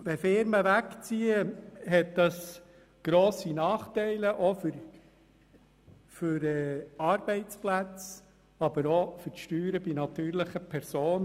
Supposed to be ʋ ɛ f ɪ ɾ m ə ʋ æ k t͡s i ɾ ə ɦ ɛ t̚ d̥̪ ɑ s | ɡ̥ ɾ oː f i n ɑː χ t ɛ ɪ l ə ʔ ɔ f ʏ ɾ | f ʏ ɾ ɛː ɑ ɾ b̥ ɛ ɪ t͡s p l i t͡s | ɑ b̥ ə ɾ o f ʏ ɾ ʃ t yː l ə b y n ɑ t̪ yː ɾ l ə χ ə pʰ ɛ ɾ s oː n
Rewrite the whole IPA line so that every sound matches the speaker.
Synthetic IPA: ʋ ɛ f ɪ ɾ m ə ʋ æ k t͡s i ə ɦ ɛ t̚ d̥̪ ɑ s | ɡ̥ ɾ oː s i n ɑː χ t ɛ ɪ l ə ʔ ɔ f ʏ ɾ | f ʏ ɾ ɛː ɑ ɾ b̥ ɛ ɪ t͡s p l æ t͡s | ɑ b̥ ə ɾ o f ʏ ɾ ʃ t yː ɾ ə b i n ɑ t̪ yː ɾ l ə χ ə pʰ ɛ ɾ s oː n